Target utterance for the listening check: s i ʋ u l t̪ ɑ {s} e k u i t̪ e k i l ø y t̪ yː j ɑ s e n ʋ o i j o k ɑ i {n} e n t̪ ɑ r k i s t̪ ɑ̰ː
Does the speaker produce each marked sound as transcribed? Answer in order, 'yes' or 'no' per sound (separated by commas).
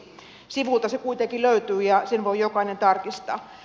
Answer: yes, yes